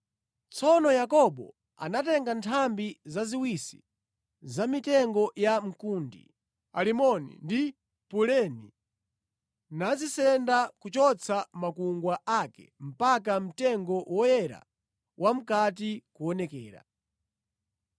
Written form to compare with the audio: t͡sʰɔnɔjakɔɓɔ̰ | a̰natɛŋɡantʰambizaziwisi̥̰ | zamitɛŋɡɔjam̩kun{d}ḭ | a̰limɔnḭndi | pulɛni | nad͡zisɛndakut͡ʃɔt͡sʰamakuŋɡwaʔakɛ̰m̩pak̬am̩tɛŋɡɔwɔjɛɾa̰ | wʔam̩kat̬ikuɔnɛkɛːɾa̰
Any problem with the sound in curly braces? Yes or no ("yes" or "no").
no